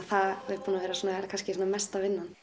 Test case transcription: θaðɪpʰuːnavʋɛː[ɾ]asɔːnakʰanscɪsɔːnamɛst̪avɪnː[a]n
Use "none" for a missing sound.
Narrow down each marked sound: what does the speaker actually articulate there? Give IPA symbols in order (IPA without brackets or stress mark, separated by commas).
ɾ, a